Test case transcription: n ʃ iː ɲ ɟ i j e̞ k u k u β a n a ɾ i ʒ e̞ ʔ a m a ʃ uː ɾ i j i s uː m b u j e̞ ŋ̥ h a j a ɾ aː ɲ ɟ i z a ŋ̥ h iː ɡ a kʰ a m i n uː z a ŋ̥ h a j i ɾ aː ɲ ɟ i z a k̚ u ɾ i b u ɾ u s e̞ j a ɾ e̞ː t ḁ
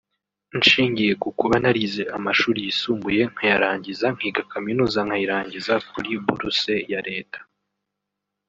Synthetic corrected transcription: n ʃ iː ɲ ɟ i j e̞ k u k u β a n a ɾ i z e̞ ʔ a m a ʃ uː ɾ i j i s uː m b u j e̞ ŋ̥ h a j a ɾ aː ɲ ɟ i z a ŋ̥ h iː ɡ a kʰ a m i n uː z a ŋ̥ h a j i ɾ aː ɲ ɟ i z a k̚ u ɾ i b u ɾ u s e̞ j a ɾ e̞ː t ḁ

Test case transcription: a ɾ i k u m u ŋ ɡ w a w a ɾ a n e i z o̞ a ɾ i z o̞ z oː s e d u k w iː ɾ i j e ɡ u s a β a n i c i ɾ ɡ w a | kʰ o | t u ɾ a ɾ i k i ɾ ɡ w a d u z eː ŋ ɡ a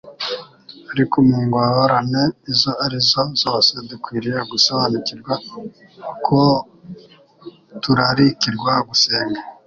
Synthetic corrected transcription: a ɾ i k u m u ŋ ɡ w a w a ɾ a n e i z o̞ a ɾ i z o̞ z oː s e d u k w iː ɾ i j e ɡ u s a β a n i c i ɾ ɡ w a | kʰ o | t u ɾ a ɾ i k i ɾ ɡ w a ɡ u s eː ŋ ɡ a

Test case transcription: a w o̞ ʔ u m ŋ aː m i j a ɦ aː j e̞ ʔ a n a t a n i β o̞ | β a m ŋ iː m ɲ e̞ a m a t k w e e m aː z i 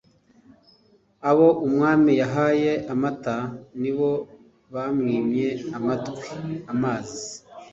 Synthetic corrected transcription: a β o̞ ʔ u m ŋ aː m i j a ɦ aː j e̞ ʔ a m a t a n i β o̞ | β a m ŋ iː m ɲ e̞ a m a t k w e a m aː z i

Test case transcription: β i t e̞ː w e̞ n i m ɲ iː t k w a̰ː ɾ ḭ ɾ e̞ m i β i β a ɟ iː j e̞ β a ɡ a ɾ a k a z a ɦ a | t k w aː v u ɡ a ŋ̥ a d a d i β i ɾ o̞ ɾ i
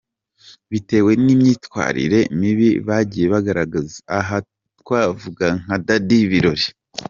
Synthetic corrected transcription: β i t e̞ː w e̞ n i m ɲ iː t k w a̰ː ɾ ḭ ɾ e̞ m i β i β a ɟ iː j e̞ β a ɡ a ɾ a ɡ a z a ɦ a | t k w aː v u ɡ a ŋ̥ a d a d i β i ɾ o̞ ɾ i

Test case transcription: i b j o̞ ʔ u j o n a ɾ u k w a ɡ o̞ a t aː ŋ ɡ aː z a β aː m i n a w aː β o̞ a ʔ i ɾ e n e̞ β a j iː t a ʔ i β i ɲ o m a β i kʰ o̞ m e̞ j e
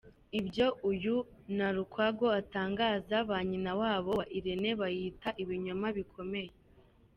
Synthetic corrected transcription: i b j o̞ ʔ u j u n a ɾ u k w a ɡ o̞ a t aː ŋ ɡ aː z a β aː ɲ i n a w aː β o̞ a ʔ i ɾ e n e̞ β a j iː t a ʔ i β i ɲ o m a β i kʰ o̞ m e̞ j e

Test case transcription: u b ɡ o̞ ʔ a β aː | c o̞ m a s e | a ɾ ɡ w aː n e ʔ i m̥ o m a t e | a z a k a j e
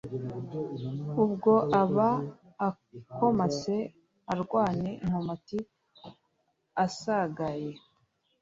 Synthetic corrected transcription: u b ɡ o̞ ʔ a β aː | k o̞ m a s e | a ɾ ɡ w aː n e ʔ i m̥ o m a t i | a s a ɡ a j e

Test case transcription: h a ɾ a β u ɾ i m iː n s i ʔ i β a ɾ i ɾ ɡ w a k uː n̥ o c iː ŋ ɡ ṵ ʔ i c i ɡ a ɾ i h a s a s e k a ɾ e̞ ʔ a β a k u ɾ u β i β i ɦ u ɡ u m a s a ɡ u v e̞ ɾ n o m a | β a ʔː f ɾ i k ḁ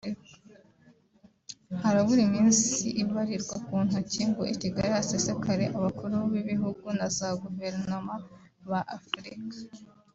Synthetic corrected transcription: h a ɾ a β u ɾ i m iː n s i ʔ i β a ɾ i ɾ ɡ w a k uː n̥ u c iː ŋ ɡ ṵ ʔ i c i ɡ a ɾ i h a s e s e k a ɾ e̞ ʔ a β a k u ɾ u β i β i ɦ u ɡ u n a z a ɡ u v e̞ ɾ n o m a | β a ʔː f ɾ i k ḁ

